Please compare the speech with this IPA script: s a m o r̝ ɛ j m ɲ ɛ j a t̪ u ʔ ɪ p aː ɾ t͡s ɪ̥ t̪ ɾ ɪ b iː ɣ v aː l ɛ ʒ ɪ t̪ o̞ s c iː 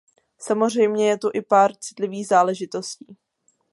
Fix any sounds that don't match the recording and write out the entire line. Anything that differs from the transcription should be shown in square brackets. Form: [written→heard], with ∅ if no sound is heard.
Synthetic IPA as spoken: s a m o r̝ ɛ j m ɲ ɛ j [a→ɛ] t̪ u ʔ ɪ p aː ɾ t͡s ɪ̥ t̪ [ɾ→l] ɪ [b→v] iː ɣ [v→z] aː l ɛ ʒ ɪ t̪ o̞ s c iː